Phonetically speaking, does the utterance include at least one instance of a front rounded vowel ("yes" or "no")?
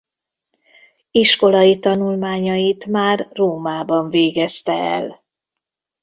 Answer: no